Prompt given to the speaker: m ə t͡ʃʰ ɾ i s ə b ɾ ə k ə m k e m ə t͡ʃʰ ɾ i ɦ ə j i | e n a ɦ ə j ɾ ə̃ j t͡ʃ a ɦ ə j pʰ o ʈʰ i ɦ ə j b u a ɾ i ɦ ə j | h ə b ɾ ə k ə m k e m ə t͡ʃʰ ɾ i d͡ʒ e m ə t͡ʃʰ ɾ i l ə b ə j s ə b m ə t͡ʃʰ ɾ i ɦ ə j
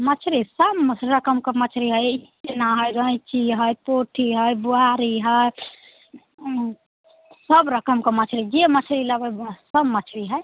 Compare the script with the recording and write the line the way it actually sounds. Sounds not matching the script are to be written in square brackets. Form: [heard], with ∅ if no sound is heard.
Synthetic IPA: m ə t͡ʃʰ ɾ i s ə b ɾ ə k ə m k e m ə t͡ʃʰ ɾ i ɦ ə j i | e n a ɦ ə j ɾ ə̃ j t͡ʃ [i] ɦ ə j [p] o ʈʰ i ɦ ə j b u a ɾ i ɦ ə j | [s] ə b ɾ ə k ə m k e m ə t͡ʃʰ ɾ i d͡ʒ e m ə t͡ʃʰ ɾ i l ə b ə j s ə b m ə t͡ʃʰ ɾ i ɦ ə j